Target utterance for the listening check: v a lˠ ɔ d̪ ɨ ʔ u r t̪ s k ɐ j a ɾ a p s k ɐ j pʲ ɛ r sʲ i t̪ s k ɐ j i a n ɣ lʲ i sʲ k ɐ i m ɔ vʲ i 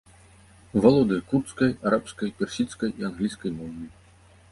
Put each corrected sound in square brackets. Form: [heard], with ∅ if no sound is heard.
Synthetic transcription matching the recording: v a lˠ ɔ d̪ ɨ [k] u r t̪ s k ɐ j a ɾ a p s k ɐ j pʲ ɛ r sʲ i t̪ s k ɐ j i a n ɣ lʲ i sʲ k ɐ [j] m ɔ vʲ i

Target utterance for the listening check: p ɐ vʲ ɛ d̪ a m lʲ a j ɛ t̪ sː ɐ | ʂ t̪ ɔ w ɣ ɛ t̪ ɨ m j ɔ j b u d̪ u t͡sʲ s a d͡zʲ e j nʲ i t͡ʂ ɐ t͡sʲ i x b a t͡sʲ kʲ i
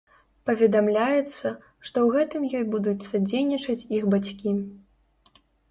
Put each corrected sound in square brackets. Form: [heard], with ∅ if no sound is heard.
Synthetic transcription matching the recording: p ɐ vʲ ɛ d̪ a m lʲ a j ɛ t̪ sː ɐ | ʂ t̪ ɔ w ɣ ɛ t̪ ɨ m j ɔ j b u d̪ u t͡sʲ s a d͡zʲ e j nʲ i t͡ʂ ɐ t͡sʲ i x b a t͡sʲ kʲ i

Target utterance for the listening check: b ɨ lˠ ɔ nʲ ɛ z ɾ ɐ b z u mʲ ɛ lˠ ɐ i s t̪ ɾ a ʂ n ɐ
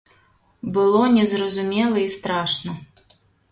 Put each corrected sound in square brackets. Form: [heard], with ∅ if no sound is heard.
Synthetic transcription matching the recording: b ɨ lˠ ɔ nʲ ɛ z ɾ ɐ [∅] z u mʲ ɛ lˠ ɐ i s t̪ ɾ a ʂ n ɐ

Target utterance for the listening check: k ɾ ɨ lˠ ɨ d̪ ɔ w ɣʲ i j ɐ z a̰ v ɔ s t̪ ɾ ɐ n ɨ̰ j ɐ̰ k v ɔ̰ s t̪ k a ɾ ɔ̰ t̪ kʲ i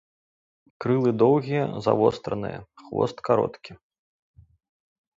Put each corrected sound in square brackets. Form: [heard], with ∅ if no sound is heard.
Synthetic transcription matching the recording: k ɾ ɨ lˠ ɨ d̪ ɔ w ɣʲ i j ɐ z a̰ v ɔ s t̪ ɾ ɐ n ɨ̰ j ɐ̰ [x] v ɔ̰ s t̪ k a ɾ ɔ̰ t̪ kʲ i

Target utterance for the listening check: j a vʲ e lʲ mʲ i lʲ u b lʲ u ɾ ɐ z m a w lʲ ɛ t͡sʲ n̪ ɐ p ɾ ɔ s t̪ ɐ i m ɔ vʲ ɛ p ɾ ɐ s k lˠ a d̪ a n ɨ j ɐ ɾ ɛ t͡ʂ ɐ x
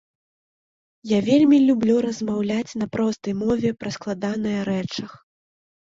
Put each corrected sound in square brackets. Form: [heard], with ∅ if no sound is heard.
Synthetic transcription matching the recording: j a vʲ e lʲ mʲ i lʲ u b lʲ u ɾ ɐ z m a w lʲ [a] t͡sʲ n̪ ɐ p ɾ ɔ s t̪ ɐ [j] m ɔ vʲ ɛ p ɾ ɐ s k lˠ a d̪ a n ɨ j ɐ ɾ ɛ t͡ʂ ɐ x

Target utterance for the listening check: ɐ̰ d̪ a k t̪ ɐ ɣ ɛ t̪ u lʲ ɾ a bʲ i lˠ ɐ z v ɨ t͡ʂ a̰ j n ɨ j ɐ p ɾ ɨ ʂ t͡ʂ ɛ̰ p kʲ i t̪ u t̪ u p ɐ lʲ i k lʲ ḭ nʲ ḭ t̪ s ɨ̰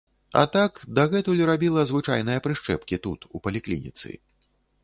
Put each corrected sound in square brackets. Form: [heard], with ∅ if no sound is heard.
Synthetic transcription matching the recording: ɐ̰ [t̪] a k [d̪] ɐ ɣ ɛ t̪ u lʲ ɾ a bʲ i lˠ ɐ z v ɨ t͡ʂ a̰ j n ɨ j ɐ p ɾ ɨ ʂ t͡ʂ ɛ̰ p kʲ i t̪ u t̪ u p ɐ lʲ i k lʲ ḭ nʲ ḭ t̪ s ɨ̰

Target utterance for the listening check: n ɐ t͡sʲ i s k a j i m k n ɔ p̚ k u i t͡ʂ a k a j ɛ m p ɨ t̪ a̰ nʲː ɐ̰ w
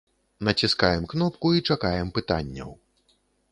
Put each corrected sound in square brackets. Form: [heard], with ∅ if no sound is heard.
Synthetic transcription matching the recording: n ɐ t͡sʲ i s k a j [ɛ] m k n ɔ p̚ k u i t͡ʂ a k a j ɛ m p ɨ t̪ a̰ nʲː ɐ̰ w

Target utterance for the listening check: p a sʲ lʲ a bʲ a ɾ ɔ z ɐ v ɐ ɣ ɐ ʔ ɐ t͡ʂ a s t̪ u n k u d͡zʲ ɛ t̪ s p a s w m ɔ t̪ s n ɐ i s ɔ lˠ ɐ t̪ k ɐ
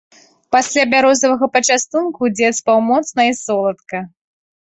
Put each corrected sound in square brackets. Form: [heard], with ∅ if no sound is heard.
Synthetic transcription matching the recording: p a sʲ lʲ a bʲ a ɾ ɔ z ɐ v ɐ ɣ ɐ [p] ɐ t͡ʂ a s t̪ u n k u d͡zʲ ɛ t̪ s p a [∅] w m ɔ t̪ s n ɐ i s ɔ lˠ ɐ t̪ k ɐ

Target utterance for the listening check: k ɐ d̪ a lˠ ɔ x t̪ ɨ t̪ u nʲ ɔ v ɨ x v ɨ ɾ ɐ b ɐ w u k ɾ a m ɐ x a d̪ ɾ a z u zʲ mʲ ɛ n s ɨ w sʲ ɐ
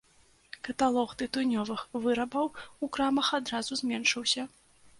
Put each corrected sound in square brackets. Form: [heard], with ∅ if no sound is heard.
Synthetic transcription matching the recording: k ɐ [t̪] a lˠ ɔ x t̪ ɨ t̪ u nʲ ɔ v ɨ x v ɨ ɾ ɐ b ɐ w u k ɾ a m ɐ x a d̪ ɾ a z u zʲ mʲ ɛ n [ʂ] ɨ w sʲ ɐ

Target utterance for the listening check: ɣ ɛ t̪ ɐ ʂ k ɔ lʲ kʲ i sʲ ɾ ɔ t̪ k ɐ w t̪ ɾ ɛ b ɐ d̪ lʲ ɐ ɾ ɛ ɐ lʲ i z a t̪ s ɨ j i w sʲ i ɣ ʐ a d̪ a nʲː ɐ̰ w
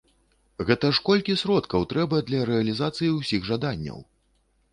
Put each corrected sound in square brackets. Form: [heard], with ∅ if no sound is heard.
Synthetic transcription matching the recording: ɣ ɛ t̪ ɐ ʂ k ɔ lʲ kʲ i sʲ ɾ ɔ t̪ k ɐ w t̪ ɾ ɛ b ɐ d̪ lʲ ɐ ɾ ɛ ɐ lʲ i z a t̪ s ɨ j i w sʲ i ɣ ʐ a d̪ a nʲː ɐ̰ w

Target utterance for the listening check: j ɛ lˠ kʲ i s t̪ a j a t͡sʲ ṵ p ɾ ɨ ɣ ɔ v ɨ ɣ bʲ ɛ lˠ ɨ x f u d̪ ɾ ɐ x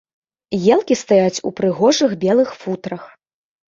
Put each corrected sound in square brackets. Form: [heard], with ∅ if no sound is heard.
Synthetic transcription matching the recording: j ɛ lˠ kʲ i s t̪ a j a t͡sʲ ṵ p ɾ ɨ ɣ ɔ [ʐ] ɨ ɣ bʲ ɛ lˠ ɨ x f u [t̪] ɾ ɐ x

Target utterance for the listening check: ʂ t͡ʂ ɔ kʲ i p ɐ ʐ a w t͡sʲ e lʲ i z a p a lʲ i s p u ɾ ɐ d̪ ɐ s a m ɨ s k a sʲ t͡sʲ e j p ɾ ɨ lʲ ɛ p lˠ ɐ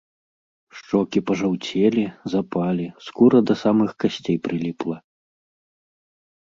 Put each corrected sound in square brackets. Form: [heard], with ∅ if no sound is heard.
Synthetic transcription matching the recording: ʂ t͡ʂ ɔ kʲ i p ɐ ʐ a w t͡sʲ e lʲ i z a p a lʲ i s [k] u ɾ ɐ d̪ ɐ s a m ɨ [x] k a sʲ t͡sʲ e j p ɾ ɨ lʲ [i] p lˠ ɐ

